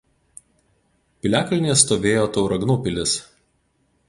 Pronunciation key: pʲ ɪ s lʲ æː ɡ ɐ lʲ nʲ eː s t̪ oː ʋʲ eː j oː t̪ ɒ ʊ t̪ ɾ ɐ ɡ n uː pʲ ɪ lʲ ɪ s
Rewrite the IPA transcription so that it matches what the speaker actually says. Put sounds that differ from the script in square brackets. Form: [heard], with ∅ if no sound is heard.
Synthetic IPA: pʲ ɪ [∅] lʲ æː [k] ɐ lʲ nʲ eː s t̪ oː ʋʲ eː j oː t̪ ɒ ʊ [∅] ɾ ɐ ɡ n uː pʲ ɪ lʲ ɪ s